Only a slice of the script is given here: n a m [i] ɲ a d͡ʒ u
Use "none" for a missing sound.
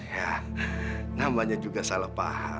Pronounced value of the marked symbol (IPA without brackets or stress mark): a